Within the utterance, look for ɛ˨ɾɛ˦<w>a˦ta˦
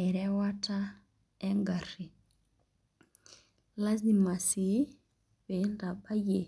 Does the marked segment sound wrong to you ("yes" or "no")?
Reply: no